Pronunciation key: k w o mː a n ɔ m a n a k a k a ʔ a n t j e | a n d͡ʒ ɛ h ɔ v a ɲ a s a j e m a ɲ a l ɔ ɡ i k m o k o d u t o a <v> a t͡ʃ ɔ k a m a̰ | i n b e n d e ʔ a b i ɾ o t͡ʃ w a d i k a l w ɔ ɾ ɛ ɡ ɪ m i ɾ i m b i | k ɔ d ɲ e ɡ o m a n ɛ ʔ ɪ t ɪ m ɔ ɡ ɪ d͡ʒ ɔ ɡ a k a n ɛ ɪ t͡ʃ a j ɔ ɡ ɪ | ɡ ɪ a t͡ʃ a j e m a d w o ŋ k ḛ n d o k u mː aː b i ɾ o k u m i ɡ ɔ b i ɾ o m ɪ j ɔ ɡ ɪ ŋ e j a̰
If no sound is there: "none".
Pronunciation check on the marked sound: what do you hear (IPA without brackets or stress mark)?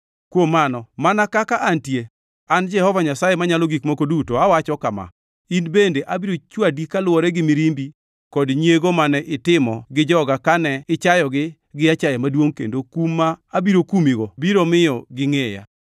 w